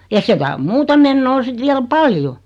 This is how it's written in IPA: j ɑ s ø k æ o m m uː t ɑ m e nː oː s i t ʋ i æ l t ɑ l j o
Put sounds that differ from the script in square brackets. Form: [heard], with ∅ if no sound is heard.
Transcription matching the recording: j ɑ s [e] k æ o m m uː t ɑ m e nː oː s i t ʋ i æ l [p] ɑ l j o

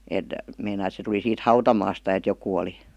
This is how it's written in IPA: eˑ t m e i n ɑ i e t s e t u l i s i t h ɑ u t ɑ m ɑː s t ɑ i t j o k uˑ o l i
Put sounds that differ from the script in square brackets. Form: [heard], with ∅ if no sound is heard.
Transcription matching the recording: eˑ t m e i n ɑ i e t s e t u l i s [iː] t h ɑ u t ɑ m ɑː s t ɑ [e] t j o k uˑ o l i

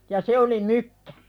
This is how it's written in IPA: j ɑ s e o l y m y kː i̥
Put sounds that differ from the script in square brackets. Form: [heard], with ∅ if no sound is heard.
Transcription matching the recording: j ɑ s e o l [i] m y kː [æ̥]

